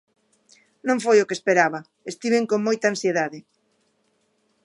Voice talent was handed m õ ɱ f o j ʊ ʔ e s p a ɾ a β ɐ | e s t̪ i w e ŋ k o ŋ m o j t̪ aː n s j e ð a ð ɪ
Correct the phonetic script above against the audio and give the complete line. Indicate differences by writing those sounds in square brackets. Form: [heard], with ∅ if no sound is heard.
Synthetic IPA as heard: [n] õ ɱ f o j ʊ [k] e s p [e] ɾ a β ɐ | e s t̪ i [β] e ŋ k o ŋ m o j t̪ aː n s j e ð a ð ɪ